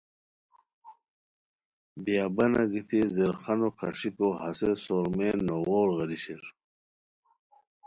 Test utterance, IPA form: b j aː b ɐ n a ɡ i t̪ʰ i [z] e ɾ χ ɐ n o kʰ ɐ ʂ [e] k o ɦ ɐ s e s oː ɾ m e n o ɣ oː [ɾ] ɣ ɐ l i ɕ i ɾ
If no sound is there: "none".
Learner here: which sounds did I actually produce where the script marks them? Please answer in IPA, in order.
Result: z, i, ɾ

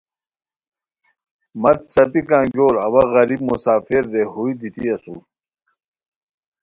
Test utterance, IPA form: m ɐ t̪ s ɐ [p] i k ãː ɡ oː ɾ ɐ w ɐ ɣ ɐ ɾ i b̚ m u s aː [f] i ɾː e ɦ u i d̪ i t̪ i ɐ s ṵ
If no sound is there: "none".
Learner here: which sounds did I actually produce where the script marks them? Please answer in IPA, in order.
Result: p, f

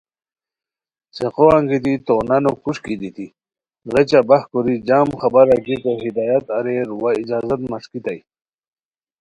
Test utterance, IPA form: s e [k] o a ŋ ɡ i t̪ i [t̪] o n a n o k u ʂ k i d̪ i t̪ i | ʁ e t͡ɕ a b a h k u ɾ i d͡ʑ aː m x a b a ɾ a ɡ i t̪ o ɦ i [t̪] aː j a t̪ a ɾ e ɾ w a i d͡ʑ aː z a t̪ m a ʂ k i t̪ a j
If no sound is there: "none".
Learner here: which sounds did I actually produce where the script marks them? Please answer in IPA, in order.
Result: q, t̪, d̪

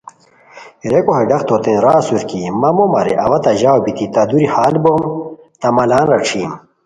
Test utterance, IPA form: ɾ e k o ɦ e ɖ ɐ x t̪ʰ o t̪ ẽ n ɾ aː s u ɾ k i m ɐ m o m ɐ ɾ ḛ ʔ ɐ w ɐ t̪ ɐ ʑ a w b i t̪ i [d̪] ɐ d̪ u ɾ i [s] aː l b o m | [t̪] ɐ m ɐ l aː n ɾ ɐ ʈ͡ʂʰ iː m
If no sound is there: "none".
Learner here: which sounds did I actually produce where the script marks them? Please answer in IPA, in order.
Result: t̪, h, t̪

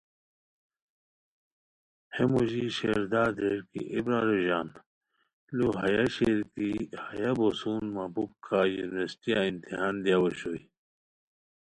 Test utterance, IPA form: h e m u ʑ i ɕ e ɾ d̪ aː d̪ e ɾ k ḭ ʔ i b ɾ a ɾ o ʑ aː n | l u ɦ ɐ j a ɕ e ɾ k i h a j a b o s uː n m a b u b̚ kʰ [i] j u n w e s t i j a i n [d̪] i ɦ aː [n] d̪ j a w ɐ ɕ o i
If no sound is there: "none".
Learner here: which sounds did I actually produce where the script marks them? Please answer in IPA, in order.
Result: a, t̪, n

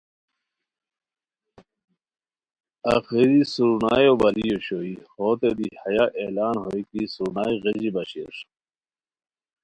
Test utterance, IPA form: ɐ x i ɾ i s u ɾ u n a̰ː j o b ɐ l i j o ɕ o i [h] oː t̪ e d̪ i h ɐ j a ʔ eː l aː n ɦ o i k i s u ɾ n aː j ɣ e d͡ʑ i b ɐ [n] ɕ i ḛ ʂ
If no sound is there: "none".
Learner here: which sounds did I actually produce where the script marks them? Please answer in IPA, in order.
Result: h, none

